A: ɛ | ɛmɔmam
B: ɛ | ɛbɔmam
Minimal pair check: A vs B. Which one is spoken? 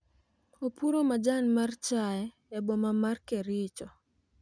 B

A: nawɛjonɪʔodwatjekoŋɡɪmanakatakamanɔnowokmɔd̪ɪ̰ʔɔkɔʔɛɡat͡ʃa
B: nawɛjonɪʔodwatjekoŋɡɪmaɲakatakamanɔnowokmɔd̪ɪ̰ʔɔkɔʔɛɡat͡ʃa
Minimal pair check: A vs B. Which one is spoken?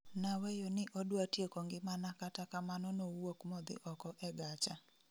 A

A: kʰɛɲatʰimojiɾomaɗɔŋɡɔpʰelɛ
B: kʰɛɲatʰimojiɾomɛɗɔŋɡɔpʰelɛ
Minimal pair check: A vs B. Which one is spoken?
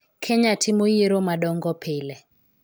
A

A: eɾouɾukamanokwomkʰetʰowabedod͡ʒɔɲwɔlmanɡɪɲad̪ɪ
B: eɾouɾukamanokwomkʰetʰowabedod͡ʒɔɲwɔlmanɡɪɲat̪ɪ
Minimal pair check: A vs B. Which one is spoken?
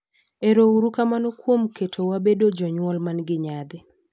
A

